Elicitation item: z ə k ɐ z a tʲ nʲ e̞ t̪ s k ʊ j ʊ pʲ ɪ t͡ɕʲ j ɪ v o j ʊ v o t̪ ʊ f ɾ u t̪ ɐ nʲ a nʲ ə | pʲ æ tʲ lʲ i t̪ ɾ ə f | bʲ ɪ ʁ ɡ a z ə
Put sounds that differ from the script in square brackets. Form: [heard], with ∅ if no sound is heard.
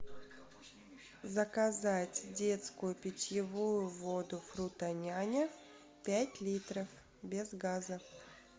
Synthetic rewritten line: z ə k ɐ z a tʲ [dʲ] e̞ t̪ s k ʊ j ʊ pʲ ɪ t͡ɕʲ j ɪ v [u] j ʊ v o [d̪] ʊ f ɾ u t̪ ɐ nʲ a nʲ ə | pʲ æ tʲ lʲ i t̪ ɾ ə f | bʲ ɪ [z] ɡ a z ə